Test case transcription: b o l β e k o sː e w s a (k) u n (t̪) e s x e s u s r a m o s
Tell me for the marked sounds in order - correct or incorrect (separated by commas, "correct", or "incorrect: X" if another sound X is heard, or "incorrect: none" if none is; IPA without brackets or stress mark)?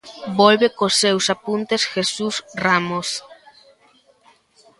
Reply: incorrect: p, correct